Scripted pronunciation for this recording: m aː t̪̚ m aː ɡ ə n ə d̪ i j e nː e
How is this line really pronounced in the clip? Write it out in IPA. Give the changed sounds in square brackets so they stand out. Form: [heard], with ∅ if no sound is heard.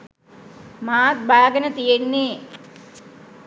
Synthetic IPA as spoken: m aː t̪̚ [b] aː ɡ ə n ə [t̪] i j e nː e